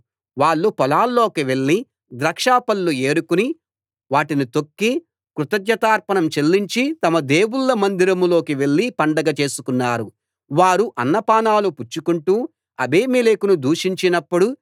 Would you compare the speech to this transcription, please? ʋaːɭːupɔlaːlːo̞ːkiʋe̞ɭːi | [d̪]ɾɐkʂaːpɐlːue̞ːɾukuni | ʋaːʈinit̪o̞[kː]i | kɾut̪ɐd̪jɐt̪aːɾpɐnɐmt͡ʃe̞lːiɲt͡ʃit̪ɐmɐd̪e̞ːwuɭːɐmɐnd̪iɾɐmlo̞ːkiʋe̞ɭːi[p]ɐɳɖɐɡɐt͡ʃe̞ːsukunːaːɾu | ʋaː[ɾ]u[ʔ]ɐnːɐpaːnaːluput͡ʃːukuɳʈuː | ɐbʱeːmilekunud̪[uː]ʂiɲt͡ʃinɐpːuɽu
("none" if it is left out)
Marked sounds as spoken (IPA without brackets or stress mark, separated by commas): d̪, kː, p, ɾ, ʔ, uː